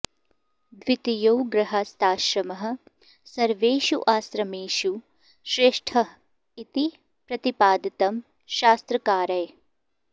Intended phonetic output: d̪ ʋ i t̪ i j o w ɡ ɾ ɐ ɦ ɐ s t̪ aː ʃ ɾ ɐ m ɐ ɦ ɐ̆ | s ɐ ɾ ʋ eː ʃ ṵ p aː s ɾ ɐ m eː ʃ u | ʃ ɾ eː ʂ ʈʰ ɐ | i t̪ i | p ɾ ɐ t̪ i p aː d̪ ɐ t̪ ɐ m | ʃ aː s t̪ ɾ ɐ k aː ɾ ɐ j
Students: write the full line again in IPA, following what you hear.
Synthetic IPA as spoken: d̪ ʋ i t̪ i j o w ɡ ɾ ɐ ɦ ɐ s t̪ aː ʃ ɾ ɐ m ɐ ɦ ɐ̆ | s ɐ ɾ ʋ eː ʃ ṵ ʔ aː s ɾ ɐ m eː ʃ u | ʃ ɾ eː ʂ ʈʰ ɐ | i t̪ i | p ɾ ɐ t̪ i p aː d̪ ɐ t̪ ɐ m | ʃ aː s t̪ ɾ ɐ k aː ɾ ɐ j